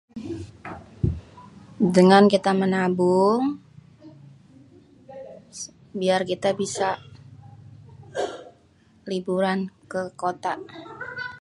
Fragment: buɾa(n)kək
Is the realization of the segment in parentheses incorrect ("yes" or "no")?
no